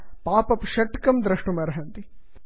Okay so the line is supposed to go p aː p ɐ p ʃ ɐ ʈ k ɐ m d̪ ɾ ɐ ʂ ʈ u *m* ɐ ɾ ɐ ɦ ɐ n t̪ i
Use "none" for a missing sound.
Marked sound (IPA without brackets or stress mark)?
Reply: m